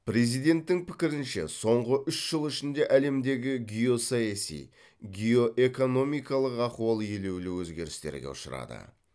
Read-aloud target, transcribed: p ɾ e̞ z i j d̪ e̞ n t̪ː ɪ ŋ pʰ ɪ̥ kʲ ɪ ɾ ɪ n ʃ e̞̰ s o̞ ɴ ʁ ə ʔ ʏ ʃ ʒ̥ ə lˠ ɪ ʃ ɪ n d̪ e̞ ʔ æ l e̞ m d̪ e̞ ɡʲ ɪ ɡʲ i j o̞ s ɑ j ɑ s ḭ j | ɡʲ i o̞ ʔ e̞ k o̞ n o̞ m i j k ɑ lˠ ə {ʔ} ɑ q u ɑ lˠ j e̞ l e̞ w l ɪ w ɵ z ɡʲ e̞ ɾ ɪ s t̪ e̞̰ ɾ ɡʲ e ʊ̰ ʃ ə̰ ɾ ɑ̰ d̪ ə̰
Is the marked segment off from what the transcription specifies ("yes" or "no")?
yes